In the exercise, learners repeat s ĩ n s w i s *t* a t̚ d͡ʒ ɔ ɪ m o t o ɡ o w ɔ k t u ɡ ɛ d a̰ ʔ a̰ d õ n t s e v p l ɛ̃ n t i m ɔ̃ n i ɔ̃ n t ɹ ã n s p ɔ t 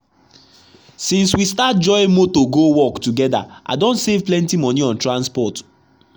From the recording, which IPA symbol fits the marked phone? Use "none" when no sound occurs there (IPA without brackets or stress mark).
t